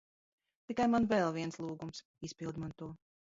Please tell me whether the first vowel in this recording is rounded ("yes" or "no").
no